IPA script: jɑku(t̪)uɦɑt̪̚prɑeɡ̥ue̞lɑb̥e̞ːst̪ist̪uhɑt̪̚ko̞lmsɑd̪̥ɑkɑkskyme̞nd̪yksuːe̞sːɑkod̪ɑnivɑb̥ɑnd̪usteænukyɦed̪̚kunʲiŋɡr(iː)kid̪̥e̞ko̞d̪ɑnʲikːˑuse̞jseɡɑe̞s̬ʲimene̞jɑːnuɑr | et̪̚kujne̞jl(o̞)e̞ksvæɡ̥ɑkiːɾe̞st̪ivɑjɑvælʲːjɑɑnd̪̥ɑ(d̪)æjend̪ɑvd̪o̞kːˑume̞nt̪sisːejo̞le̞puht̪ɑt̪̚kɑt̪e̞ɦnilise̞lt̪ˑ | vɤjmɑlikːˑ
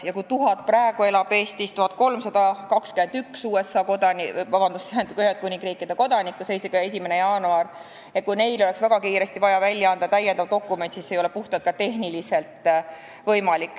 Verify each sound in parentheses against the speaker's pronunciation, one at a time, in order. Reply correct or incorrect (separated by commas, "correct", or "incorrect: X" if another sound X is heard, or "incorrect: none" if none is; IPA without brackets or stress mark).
correct, correct, correct, incorrect: t̪